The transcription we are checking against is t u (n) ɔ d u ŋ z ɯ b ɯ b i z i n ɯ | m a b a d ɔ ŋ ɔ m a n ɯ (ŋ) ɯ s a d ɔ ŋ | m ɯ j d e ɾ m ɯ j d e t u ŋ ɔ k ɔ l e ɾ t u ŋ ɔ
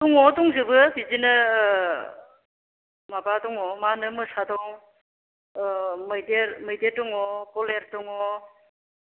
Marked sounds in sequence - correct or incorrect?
incorrect: ŋ, incorrect: m

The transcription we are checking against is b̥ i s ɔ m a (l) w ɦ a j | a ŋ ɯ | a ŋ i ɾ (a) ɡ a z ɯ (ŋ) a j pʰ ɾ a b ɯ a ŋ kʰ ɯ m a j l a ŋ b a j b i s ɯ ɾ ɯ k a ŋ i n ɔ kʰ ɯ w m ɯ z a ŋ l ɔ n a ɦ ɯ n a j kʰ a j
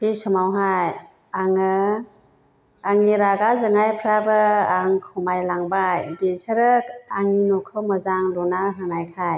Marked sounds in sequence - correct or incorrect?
incorrect: none, correct, correct

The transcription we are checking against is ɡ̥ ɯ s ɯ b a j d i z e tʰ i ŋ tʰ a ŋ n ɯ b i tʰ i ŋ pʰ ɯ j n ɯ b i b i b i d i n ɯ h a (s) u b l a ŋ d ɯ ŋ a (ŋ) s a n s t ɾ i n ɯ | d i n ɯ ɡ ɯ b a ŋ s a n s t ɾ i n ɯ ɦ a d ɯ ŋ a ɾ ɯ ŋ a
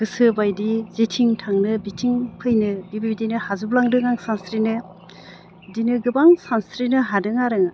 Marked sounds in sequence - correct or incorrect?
incorrect: z, correct

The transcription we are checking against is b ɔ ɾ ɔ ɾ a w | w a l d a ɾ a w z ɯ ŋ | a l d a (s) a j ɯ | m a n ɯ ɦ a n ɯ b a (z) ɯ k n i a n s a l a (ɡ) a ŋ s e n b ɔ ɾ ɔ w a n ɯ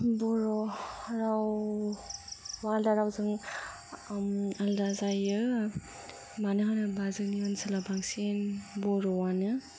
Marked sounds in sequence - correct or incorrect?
incorrect: z, correct, incorrect: b

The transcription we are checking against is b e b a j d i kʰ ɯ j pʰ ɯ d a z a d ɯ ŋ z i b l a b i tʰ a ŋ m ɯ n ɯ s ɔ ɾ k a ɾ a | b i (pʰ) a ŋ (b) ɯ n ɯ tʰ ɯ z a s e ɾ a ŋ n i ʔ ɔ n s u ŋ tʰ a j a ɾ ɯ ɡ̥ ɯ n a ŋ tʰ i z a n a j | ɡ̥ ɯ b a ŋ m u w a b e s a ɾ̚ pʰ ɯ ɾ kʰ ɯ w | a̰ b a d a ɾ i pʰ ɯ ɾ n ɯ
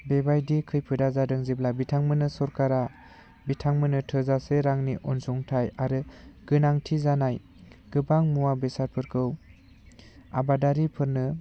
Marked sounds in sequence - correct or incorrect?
incorrect: tʰ, incorrect: m

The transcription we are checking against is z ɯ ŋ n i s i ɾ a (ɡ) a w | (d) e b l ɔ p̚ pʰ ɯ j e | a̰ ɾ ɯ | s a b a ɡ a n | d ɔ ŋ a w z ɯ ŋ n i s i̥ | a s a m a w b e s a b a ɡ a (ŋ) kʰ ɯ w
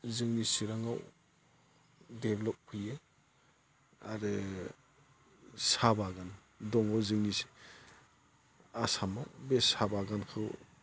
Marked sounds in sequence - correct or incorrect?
incorrect: ŋ, correct, incorrect: n

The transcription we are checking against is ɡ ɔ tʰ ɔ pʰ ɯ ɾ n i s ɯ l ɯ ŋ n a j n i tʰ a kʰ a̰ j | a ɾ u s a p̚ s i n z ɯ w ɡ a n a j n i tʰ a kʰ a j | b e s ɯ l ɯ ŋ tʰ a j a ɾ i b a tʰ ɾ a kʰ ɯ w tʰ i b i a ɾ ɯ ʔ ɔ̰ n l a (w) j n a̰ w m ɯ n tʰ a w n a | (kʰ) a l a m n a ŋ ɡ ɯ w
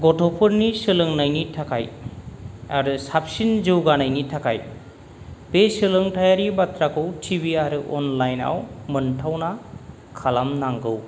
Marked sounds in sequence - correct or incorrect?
incorrect: none, correct

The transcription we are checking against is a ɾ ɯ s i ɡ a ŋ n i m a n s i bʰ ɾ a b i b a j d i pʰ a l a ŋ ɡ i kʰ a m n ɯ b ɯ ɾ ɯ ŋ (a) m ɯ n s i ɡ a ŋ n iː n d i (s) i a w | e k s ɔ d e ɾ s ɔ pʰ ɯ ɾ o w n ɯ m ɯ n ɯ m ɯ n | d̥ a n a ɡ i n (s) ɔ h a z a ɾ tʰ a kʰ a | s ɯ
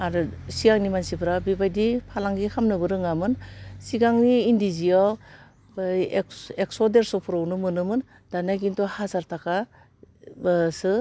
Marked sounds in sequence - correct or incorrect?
correct, incorrect: z, incorrect: t

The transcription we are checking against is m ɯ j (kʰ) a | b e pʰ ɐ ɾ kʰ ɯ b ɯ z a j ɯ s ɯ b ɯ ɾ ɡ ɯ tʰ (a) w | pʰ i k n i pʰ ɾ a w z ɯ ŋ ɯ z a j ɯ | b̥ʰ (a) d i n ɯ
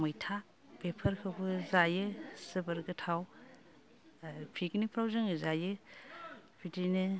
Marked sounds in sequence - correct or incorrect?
incorrect: tʰ, correct, incorrect: i

